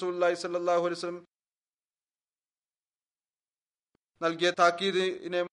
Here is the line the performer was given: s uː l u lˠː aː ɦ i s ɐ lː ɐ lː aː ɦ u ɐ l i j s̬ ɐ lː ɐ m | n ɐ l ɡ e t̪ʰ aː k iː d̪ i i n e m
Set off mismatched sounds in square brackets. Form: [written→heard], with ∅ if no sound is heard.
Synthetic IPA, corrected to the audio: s uː l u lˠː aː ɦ i s ɐ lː ɐ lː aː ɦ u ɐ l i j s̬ ɐ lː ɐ m | n ɐ l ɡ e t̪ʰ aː k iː d̪ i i n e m